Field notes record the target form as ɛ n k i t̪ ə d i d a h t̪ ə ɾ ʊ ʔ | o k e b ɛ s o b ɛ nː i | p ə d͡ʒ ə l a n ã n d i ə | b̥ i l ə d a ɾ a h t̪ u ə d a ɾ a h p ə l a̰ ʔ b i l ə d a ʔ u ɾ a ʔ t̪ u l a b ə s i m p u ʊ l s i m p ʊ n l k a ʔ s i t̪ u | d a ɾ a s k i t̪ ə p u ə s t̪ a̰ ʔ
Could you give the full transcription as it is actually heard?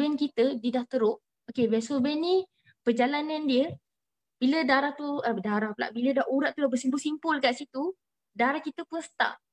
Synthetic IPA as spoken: ɛ n k i t̪ ə d i d a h t̪ ə ɾ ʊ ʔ | o k e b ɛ s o b ɛ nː i | p ə d͡ʒ a l a n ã n d i ə | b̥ i l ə d a ɾ a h t̪ u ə d a ɾ a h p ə l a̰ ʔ b i l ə d a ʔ u ɾ a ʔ t̪ u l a b ə s i m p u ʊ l s i m p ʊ l k a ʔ s i t̪ u | d a ɾ a h k i t̪ ə p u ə s t̪ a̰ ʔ